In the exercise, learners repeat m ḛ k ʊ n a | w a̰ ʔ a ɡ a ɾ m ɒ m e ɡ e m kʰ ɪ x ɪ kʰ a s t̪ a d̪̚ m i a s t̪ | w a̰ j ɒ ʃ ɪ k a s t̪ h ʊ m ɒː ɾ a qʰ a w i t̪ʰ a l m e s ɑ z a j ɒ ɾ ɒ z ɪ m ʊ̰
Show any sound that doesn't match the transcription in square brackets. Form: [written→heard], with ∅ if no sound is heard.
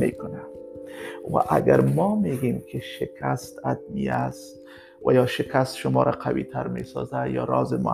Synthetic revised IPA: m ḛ k ʊ n a | w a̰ ʔ a ɡ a ɾ m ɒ m e ɡ e m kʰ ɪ [x→ʃ] ɪ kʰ a s t̪ a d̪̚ m i a s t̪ | w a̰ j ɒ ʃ ɪ k a s t̪ [h→ʃ] ʊ m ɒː ɾ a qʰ a w i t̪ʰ a [l→ɾ] m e s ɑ z a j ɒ ɾ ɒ z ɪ m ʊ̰